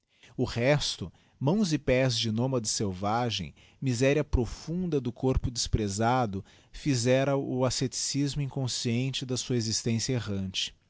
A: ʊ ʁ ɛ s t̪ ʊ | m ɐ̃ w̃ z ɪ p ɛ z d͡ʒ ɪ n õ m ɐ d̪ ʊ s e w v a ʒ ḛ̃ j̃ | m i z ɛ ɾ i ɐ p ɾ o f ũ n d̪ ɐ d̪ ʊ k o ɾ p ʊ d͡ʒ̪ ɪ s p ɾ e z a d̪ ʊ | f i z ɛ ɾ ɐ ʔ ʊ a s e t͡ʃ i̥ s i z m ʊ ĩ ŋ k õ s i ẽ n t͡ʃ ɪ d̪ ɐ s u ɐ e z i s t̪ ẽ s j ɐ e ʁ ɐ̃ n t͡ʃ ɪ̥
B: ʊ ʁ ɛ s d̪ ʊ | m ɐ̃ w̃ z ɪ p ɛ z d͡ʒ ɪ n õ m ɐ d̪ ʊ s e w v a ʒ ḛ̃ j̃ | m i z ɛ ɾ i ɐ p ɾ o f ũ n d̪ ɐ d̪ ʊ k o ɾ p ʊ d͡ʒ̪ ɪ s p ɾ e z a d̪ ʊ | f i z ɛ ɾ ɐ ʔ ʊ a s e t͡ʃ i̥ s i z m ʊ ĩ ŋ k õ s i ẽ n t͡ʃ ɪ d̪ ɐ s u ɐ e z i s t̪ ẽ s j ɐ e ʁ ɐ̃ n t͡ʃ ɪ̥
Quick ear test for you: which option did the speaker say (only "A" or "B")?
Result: A